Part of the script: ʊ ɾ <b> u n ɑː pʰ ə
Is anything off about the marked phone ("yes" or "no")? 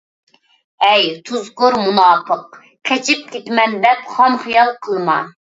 yes